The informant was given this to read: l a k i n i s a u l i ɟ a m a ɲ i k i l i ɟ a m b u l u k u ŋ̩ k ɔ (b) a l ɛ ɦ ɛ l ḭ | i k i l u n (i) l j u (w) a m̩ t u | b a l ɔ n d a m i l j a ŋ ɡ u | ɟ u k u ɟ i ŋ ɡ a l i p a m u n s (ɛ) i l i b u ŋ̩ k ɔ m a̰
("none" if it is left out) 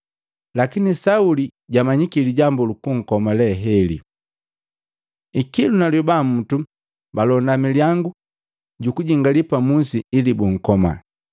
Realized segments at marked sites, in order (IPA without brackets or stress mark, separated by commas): m, a, b, i